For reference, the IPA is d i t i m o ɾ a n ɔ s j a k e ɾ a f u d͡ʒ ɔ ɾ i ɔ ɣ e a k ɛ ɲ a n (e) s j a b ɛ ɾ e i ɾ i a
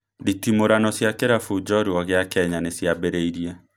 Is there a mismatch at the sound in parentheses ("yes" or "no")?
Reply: no